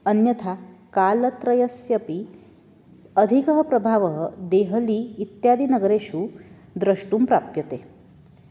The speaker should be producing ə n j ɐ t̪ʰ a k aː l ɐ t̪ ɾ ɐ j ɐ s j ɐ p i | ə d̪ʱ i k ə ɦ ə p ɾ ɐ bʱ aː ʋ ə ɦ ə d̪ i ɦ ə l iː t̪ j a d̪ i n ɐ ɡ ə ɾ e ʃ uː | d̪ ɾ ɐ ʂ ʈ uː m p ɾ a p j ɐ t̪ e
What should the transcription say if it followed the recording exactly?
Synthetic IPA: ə n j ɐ t̪ʰ a k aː l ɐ t̪ ɾ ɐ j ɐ s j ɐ p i | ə d̪ʱ i k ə ɦ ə p ɾ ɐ bʱ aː ʋ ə ɦ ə d̪ e ɦ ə l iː t̪ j a d̪ i n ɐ ɡ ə ɾ e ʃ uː | d̪ ɾ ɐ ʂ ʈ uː m p ɾ a p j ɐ t̪ e